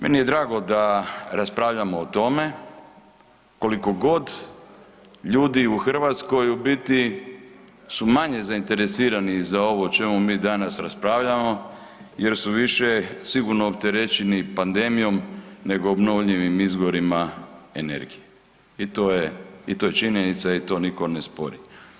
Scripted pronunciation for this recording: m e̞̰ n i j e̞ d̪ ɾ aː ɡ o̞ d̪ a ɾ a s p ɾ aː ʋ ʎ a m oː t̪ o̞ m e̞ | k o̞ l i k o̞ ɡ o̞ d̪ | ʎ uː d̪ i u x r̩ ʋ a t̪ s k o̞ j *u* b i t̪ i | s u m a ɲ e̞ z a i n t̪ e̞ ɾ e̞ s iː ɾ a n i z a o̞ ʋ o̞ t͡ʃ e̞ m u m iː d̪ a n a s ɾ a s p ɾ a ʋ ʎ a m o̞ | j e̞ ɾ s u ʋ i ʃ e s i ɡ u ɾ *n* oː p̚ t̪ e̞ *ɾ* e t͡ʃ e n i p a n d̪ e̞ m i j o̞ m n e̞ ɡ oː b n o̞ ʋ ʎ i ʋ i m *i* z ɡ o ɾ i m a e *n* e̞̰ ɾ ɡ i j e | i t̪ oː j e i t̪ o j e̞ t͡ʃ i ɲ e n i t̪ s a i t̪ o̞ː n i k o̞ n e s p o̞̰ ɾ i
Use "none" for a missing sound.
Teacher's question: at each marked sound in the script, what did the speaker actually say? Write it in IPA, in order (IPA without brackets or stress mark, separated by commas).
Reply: u, n, ɾ, i, n